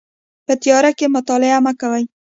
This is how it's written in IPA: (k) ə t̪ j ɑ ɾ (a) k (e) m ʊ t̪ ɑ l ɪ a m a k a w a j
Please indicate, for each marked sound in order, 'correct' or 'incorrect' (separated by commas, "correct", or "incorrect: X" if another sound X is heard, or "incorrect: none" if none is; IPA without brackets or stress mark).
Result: incorrect: p, correct, correct